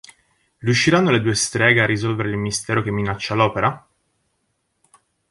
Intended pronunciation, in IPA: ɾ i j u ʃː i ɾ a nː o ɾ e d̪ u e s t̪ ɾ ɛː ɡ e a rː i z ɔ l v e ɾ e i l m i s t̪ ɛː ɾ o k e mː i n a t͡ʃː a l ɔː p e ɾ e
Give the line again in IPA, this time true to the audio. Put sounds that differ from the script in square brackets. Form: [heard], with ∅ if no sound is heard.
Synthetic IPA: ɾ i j u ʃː i ɾ a nː o [l] e d̪ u e s t̪ ɾ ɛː ɡ e a rː i z ɔ l v e ɾ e i l m i s t̪ ɛː ɾ o k e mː i n a t͡ʃː a l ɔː p e ɾ [a]